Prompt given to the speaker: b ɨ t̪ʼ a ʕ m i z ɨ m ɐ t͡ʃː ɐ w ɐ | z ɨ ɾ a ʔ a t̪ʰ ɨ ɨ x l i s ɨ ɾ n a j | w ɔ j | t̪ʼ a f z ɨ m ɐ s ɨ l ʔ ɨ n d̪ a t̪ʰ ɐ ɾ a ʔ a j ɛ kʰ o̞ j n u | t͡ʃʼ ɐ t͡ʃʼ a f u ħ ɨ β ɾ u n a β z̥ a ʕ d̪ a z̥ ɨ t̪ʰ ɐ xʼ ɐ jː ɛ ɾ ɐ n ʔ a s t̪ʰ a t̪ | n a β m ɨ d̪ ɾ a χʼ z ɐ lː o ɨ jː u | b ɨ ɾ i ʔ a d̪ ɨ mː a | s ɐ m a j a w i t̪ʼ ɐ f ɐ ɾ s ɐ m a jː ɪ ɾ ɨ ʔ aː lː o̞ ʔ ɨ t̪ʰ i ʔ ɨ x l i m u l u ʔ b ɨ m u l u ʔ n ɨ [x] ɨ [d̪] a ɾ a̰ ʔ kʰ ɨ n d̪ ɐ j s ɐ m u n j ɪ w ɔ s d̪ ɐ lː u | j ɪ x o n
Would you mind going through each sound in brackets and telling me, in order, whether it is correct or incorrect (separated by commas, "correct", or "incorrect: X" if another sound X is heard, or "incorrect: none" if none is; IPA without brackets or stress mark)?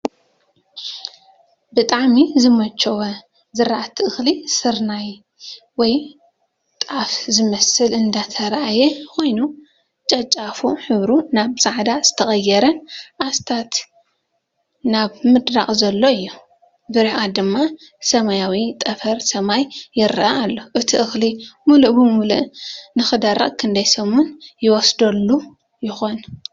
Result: correct, correct